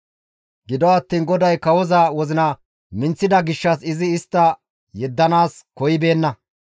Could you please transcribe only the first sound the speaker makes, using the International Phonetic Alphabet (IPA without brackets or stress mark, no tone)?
ɡ